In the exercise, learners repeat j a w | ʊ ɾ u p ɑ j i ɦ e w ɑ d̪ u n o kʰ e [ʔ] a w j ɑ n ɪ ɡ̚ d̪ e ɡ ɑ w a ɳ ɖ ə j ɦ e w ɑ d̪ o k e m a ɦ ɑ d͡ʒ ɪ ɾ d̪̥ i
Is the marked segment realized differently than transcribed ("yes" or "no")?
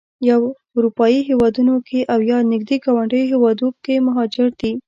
no